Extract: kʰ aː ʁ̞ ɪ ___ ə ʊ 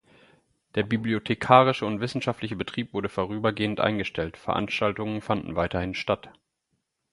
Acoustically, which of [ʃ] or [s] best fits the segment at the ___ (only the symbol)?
ʃ